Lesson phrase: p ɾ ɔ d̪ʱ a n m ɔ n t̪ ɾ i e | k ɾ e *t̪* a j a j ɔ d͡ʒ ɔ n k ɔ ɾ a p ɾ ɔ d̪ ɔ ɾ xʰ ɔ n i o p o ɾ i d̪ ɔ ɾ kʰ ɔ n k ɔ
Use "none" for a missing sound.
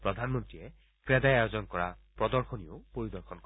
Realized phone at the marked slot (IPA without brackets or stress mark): d̪